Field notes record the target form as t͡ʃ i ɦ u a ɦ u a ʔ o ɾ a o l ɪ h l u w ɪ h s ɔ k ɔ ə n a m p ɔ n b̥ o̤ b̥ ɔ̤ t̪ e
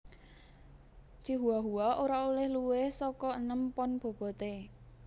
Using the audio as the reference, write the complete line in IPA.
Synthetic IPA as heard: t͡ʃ i ɦ u a ɦ u a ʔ o ɾ a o l ɪ h l u w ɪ h s ɔ k ɔ ə n ə m p ɔ n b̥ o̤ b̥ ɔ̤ t̪ e